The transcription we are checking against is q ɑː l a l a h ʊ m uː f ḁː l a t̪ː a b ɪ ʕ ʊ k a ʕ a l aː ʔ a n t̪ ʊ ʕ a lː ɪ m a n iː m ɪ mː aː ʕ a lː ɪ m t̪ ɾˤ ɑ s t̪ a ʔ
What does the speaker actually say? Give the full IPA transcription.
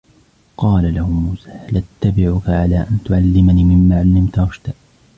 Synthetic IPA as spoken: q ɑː l a l a h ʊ m uː s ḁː l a t̪ː a b ɪ ʕ ʊ k a ʕ a l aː ʔ a n t̪ ʊ ʕ a lː ɪ m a n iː m ɪ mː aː ʕ a lː ɪ m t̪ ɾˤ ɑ ʃ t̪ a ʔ